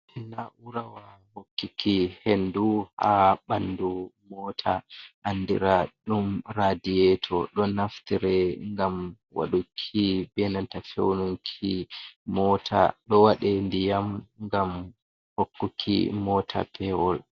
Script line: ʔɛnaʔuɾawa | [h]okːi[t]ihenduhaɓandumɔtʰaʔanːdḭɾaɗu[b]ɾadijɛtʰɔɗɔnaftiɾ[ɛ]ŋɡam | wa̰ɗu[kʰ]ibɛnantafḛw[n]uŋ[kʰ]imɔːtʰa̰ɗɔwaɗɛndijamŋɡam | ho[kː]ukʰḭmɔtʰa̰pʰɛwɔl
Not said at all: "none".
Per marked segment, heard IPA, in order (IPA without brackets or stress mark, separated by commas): h, k, m, ɛ, kʰ, n, kʰ, kː